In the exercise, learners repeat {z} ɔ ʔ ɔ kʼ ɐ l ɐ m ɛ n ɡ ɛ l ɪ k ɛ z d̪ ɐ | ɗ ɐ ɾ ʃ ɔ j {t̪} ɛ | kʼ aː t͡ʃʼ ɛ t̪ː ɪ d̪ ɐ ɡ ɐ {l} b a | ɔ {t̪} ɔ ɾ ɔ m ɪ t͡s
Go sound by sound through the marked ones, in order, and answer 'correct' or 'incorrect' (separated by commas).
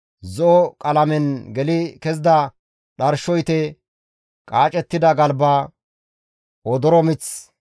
correct, correct, correct, incorrect